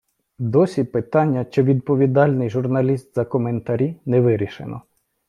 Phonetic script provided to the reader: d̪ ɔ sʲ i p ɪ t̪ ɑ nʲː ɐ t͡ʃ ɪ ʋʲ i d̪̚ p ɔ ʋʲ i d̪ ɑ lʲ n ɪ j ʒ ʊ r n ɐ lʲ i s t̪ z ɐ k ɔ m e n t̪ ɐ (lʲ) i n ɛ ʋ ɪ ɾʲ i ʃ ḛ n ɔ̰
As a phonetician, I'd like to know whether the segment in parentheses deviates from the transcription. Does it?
yes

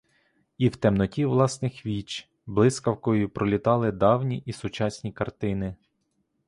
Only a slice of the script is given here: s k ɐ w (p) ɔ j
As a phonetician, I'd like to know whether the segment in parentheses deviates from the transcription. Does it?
yes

